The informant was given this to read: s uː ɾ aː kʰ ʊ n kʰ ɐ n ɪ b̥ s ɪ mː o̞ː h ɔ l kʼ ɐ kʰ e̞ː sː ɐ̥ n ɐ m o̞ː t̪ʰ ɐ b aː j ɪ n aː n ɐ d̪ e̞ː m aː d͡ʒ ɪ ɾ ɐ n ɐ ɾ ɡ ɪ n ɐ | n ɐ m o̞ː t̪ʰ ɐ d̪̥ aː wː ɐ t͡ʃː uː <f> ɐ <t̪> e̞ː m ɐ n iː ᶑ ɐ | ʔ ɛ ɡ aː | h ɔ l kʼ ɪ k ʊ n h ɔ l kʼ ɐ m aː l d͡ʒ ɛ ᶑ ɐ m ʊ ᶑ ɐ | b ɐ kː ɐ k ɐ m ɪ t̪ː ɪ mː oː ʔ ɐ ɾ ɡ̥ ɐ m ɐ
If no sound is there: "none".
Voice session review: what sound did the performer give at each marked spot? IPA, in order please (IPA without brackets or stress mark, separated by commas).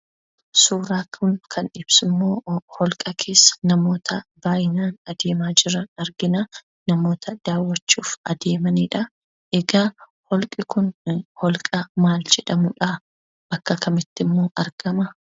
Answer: f, d̪